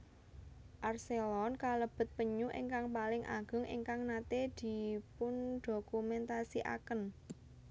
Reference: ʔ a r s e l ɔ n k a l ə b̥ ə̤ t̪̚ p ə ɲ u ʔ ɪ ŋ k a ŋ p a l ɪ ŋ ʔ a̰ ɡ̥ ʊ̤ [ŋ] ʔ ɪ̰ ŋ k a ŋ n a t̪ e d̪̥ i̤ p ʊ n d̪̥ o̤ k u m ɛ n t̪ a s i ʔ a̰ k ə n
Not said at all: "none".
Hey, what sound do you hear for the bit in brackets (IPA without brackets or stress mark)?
ŋ